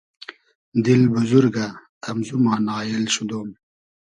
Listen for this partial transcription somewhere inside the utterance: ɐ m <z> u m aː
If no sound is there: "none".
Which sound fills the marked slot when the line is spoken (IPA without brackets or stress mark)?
z